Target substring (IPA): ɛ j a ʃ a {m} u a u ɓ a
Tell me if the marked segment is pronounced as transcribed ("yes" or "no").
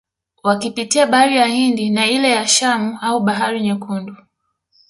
yes